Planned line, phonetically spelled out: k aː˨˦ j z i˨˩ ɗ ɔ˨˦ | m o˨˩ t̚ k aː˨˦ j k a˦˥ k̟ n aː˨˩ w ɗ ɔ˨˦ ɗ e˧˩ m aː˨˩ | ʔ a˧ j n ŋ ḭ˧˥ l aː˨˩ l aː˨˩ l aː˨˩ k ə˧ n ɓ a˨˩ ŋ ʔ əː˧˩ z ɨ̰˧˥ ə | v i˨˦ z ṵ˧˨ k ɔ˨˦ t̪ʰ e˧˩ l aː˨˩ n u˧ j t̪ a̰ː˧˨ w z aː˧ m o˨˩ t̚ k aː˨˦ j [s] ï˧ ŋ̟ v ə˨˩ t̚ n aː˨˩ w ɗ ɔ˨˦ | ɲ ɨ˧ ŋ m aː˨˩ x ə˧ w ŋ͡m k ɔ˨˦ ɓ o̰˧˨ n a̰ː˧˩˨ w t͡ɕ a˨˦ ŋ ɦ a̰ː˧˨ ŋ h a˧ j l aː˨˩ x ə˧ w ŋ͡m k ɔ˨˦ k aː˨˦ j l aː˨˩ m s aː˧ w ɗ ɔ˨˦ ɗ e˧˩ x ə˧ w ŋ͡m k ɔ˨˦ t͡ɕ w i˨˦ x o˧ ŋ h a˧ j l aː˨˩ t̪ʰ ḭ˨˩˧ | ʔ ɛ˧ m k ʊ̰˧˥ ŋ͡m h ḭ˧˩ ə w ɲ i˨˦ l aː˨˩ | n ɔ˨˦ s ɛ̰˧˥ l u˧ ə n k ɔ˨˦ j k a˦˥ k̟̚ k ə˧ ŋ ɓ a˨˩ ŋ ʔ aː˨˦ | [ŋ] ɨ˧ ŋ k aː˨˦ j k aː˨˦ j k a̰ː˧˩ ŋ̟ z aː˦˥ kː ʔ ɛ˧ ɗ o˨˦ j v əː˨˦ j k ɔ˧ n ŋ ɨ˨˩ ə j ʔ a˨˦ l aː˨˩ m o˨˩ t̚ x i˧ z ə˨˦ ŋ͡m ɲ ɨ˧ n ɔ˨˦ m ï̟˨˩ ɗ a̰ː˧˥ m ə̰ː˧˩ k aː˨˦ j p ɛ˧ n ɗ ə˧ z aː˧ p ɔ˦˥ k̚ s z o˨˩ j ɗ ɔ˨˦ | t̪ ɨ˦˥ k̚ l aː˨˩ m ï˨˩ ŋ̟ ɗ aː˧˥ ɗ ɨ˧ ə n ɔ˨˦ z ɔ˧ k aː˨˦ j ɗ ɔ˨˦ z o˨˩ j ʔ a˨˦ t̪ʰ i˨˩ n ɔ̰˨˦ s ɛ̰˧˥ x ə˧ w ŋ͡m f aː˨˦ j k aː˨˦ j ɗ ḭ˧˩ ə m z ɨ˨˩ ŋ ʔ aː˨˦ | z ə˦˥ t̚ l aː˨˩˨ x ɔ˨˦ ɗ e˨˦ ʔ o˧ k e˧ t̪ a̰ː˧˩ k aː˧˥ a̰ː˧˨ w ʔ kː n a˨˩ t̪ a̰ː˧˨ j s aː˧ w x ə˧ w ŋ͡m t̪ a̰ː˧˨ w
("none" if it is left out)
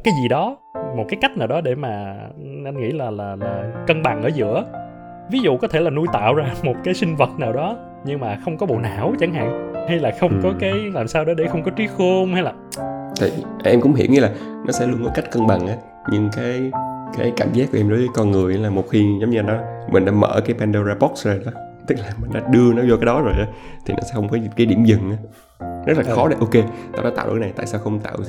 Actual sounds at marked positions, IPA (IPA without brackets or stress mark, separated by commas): s, ɲ